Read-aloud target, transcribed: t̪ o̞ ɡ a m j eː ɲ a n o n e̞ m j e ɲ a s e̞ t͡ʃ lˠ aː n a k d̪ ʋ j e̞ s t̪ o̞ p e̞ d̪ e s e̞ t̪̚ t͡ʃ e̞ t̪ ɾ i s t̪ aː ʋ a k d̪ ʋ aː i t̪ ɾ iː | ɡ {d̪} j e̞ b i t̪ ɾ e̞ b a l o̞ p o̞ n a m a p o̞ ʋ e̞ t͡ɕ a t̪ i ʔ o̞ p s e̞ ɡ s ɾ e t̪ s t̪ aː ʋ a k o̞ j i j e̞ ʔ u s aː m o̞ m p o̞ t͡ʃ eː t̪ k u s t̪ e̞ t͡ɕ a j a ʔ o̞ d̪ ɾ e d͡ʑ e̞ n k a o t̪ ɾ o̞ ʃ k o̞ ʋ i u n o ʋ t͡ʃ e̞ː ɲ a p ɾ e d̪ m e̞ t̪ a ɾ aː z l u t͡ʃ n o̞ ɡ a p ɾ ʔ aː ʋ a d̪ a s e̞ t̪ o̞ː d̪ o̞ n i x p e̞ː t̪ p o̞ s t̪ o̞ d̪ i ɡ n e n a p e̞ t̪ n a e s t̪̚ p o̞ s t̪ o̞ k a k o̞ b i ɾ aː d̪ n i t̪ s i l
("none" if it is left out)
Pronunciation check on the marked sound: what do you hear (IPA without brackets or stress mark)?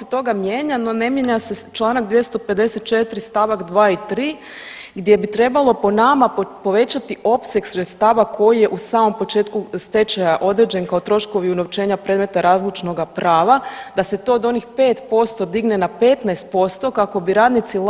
d̪